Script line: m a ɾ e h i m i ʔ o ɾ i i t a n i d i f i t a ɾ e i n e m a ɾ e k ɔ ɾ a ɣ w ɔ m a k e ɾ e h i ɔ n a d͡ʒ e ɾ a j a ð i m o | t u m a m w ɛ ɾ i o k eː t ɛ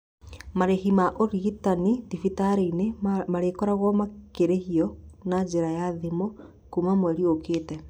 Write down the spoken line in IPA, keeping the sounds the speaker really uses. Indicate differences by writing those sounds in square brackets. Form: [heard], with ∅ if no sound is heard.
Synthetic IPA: m a ɾ e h i m [a] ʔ o ɾ i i t a n i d i f i t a ɾ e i n e m a ɾ e k ɔ ɾ a ɣ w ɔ m a k e ɾ e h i ɔ n a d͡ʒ e ɾ a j a ð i m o | [k] u m a m w ɛ ɾ i o k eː t ɛ